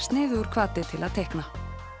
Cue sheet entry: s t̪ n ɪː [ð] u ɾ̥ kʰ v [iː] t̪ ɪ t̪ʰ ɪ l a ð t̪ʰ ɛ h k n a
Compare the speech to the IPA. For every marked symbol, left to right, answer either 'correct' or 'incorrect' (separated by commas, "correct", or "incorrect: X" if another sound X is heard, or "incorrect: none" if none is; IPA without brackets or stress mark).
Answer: correct, incorrect: aː